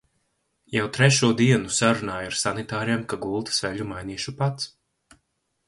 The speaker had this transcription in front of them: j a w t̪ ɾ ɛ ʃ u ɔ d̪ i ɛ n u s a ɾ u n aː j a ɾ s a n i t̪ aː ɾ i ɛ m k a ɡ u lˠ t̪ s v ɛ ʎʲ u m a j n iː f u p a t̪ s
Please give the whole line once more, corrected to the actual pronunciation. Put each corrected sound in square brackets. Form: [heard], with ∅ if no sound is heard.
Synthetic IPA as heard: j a w t̪ ɾ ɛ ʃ u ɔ d̪ i ɛ n u s a ɾ u n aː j a ɾ s a n i t̪ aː ɾ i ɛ m k a ɡ u lˠ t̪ s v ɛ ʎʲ u m a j n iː [ʃ] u p a t̪ s